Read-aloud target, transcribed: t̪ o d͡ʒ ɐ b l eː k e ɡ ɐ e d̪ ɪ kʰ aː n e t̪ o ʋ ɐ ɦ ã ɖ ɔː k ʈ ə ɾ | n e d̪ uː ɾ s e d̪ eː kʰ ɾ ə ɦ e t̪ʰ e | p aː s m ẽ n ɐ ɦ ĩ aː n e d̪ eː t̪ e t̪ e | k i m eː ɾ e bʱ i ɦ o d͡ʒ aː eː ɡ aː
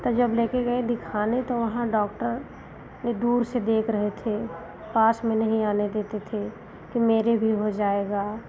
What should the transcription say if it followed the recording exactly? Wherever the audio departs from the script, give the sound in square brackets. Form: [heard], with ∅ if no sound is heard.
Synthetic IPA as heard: t̪ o d͡ʒ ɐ b l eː k e ɡ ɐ e d̪ ɪ kʰ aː n e t̪ o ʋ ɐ ɦ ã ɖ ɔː k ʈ ə ɾ | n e d̪ uː ɾ s e d̪ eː kʰ ɾ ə ɦ e t̪ʰ e | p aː s m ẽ n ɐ ɦ ĩ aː n e d̪ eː t̪ e [t̪ʰ] e | k i m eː ɾ e bʱ i ɦ o d͡ʒ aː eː ɡ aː